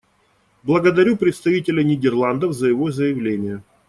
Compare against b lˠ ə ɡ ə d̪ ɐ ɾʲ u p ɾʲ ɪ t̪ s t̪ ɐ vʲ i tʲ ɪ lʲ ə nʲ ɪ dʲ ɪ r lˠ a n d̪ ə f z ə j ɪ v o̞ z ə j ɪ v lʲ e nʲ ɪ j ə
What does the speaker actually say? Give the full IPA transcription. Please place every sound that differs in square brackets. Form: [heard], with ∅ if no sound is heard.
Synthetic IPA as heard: b lˠ ə ɡ ə d̪ ɐ ɾʲ u p ɾʲ ɪ t̪ s t̪ ɐ vʲ i tʲ ɪ lʲ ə nʲ ɪ dʲ ɪ r lˠ a n d̪ ə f z ə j ɪ v o̞ z ə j ɪ v lʲ e nʲ ɪ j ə